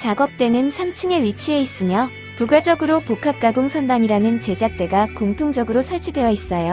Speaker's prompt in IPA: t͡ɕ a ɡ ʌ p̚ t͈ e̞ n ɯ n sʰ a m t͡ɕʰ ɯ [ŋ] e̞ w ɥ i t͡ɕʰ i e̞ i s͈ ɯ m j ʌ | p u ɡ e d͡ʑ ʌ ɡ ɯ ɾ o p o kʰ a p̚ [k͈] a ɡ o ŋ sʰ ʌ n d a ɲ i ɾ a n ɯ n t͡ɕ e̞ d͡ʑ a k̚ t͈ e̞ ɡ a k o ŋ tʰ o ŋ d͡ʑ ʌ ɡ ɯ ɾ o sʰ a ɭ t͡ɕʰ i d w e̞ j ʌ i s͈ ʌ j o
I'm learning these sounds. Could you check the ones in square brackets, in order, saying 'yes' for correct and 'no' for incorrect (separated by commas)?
yes, yes